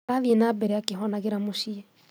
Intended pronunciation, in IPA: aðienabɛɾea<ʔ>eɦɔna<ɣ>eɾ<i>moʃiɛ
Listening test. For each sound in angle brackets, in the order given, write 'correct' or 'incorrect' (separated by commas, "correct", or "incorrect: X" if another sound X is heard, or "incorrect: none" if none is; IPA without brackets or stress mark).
incorrect: k, correct, incorrect: a